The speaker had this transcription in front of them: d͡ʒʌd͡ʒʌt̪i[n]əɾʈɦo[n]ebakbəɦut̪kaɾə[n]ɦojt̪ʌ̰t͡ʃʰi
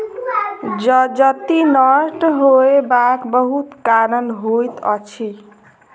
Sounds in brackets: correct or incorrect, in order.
correct, incorrect: none, correct

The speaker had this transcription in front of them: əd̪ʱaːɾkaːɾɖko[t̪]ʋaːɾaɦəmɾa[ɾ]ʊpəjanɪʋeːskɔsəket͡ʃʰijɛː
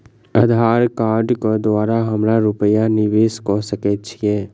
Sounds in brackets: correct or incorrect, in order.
incorrect: d̪, correct

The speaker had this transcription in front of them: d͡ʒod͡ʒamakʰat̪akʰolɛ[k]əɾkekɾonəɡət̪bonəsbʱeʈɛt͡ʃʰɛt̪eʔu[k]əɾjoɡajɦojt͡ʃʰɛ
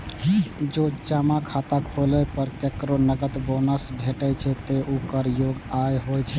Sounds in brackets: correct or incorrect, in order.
incorrect: p, correct

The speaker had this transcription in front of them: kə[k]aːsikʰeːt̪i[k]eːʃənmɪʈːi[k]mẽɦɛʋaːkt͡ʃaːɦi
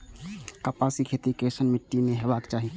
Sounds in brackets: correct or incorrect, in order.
incorrect: p, correct, incorrect: none

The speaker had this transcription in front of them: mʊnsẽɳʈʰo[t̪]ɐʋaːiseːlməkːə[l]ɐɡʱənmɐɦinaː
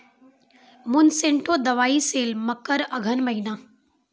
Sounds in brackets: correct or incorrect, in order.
incorrect: d̪, incorrect: ɾ

